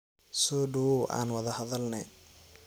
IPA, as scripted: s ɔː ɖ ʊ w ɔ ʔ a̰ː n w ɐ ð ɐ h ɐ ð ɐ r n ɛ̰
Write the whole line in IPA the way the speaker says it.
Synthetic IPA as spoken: s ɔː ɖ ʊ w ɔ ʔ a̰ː n w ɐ ð ɐ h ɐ ð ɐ l n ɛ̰